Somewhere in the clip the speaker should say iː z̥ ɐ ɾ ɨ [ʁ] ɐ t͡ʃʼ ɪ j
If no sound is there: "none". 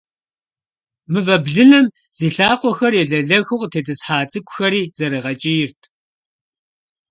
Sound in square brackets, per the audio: ʁ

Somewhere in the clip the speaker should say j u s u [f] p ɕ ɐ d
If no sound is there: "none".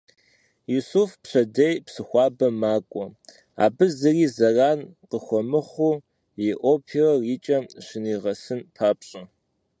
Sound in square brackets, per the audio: f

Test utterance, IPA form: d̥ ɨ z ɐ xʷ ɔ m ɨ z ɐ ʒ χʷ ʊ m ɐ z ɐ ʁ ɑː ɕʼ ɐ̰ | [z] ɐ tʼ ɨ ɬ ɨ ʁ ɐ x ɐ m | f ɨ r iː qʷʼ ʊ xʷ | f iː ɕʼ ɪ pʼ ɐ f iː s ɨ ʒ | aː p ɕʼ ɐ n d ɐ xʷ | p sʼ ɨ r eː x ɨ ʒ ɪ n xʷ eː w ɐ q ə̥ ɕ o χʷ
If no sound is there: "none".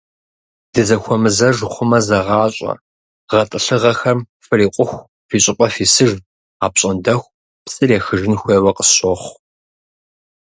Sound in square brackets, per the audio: ʁ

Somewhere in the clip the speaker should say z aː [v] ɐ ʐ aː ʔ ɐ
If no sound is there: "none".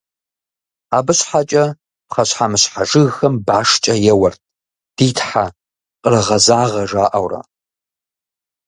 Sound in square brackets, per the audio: ʁ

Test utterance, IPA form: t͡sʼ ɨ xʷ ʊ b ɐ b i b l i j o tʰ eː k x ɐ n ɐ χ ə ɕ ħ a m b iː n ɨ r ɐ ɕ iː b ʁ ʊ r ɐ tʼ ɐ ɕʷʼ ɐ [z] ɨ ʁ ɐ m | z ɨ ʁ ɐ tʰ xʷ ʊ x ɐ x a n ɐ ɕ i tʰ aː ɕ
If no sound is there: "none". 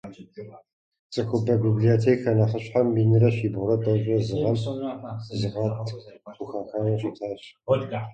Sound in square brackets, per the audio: z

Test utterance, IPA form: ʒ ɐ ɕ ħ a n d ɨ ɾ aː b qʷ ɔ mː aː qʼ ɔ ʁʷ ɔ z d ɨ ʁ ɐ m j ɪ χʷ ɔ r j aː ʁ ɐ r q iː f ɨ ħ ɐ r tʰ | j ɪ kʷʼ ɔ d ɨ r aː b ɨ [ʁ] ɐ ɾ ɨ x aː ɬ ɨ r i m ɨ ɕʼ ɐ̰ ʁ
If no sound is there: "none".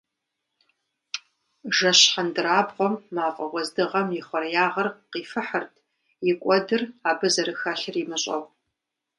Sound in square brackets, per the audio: z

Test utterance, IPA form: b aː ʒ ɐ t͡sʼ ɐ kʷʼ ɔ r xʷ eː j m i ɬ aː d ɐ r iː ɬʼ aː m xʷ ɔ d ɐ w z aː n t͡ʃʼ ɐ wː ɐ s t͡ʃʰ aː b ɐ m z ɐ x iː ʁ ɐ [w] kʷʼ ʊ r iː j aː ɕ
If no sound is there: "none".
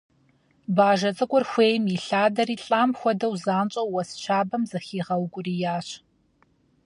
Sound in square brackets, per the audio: w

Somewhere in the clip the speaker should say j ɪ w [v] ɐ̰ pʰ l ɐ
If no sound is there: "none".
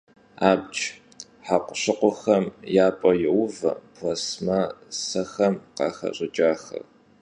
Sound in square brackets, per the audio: v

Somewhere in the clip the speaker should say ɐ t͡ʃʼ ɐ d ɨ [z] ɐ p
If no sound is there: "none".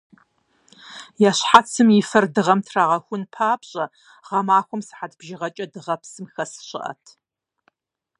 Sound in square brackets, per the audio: ʁ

